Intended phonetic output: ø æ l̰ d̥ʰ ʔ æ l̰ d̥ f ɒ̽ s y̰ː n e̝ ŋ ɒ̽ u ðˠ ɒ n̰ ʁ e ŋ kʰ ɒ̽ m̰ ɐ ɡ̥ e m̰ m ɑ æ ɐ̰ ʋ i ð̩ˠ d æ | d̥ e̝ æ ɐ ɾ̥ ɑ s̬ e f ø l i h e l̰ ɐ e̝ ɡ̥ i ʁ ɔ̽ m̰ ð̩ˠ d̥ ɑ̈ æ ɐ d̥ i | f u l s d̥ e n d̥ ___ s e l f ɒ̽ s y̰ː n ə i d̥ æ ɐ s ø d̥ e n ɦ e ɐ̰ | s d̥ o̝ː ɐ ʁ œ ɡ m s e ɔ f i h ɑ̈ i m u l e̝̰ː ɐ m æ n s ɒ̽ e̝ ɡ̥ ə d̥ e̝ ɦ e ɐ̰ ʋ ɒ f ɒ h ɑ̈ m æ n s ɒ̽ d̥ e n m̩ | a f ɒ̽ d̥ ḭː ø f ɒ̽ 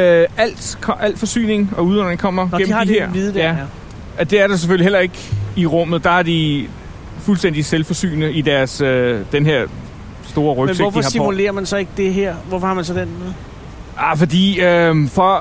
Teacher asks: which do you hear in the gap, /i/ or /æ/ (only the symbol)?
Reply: i